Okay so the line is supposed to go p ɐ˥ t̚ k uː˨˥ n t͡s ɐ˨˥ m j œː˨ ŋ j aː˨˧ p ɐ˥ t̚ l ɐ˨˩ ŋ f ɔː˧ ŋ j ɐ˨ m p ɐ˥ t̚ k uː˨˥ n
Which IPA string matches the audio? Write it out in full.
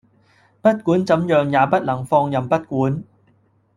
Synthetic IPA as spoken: p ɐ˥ t̚ k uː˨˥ n t͡s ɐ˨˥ m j œː˨ ŋ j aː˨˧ p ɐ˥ t̚ l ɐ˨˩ ŋ f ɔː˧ ŋ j ɐ˨ m p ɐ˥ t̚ k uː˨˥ n